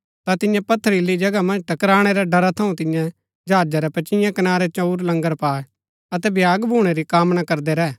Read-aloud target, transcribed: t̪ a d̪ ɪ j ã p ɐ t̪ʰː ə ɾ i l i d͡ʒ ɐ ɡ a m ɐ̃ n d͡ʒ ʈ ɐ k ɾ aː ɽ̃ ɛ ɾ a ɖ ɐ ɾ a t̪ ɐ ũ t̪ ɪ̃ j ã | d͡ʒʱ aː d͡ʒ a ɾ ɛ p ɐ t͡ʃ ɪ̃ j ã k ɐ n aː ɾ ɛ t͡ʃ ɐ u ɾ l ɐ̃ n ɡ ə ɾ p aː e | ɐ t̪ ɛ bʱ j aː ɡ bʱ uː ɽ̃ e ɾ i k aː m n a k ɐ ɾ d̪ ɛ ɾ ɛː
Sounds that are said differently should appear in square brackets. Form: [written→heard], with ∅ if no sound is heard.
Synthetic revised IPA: t̪ a [d̪→t̪] ɪ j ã p ɐ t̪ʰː ə ɾ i l i d͡ʒ ɐ ɡ a m ɐ̃ n d͡ʒ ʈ ɐ k ɾ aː ɽ̃ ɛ ɾ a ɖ ɐ ɾ a [t̪→t̪ʰ] ɐ ũ t̪ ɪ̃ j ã | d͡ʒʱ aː d͡ʒ a ɾ ɛ p ɐ t͡ʃ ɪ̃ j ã k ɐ n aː ɾ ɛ t͡ʃ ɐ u ɾ l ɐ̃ [n→ŋ] ɡ ə ɾ p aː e | ɐ t̪ ɛ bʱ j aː ɡ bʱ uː ɽ̃ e ɾ i k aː m n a k ɐ ɾ d̪ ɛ ɾ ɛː